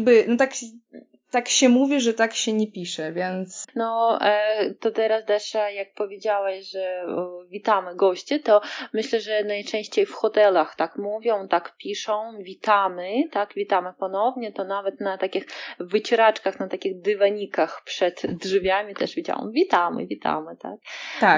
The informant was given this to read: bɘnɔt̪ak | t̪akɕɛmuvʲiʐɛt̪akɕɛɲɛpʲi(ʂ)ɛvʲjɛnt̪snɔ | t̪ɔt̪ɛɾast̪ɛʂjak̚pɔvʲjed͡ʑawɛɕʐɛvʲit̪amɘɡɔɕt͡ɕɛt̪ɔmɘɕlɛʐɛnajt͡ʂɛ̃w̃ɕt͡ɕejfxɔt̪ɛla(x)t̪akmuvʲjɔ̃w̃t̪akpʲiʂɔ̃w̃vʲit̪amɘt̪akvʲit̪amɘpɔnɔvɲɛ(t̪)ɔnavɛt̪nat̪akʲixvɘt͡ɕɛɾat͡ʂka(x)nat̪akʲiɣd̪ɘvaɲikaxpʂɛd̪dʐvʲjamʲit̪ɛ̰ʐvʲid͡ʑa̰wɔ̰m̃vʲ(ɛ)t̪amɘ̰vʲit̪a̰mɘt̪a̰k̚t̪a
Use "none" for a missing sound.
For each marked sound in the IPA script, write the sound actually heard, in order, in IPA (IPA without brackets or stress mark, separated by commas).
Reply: ʂ, x, t̪, x, i